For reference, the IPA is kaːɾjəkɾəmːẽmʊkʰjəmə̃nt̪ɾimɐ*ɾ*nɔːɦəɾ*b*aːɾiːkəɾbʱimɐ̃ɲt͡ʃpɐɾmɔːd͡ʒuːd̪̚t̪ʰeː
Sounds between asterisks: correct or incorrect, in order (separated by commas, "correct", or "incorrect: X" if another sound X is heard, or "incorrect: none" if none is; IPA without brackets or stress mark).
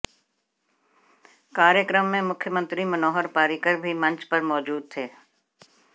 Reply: incorrect: none, incorrect: p